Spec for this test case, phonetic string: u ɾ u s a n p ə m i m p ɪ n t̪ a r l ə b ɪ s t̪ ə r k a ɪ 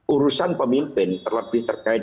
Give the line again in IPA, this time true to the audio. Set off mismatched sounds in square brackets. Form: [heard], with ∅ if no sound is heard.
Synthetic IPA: u ɾ u s a n p ə m i m p ɪ n t̪ [ə] r l ə b ɪ [h] t̪ ə r k a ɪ